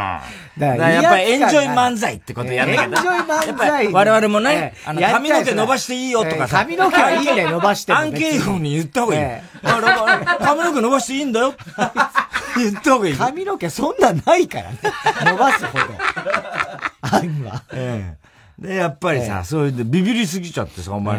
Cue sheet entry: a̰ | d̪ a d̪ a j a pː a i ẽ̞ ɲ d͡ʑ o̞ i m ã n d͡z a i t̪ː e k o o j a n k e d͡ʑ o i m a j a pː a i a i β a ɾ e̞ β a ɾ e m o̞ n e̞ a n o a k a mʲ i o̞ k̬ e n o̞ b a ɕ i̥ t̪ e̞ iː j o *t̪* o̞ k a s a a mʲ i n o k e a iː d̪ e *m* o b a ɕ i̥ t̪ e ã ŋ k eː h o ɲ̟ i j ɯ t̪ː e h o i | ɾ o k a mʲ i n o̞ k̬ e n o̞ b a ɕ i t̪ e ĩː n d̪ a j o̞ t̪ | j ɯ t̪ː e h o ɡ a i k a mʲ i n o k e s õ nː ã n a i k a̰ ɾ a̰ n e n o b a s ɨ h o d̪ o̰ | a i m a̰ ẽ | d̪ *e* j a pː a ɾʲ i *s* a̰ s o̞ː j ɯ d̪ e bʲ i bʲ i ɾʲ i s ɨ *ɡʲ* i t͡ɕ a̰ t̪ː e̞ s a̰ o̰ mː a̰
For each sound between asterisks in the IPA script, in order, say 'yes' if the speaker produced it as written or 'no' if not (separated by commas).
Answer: yes, no, yes, yes, yes